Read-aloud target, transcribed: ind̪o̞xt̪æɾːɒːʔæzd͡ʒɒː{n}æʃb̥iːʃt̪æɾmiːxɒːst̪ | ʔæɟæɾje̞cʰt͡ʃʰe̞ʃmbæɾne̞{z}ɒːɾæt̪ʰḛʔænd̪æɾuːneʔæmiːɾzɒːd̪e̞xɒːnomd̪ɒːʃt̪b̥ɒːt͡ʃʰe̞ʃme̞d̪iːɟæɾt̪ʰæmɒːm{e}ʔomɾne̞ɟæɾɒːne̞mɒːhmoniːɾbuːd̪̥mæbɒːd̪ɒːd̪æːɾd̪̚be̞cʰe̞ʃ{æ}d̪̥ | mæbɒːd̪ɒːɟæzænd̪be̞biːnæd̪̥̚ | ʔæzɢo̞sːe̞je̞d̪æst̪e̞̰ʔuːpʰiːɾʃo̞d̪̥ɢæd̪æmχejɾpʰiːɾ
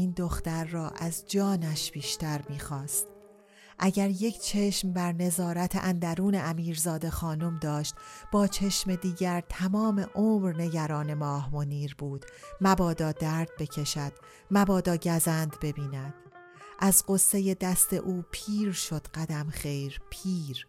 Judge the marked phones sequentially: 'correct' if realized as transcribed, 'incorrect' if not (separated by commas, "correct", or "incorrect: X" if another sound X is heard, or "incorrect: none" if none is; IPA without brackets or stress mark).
correct, correct, correct, correct